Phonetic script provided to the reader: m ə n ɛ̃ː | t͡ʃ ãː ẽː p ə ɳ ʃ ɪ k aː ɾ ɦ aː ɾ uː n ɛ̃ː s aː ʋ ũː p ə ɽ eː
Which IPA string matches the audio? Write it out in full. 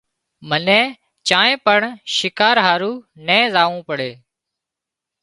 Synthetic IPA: m ə n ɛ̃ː | t͡ʃ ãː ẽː p ə ɳ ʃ ɪ k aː ɾ ɦ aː ɾ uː n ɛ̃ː z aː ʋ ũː p ə ɽ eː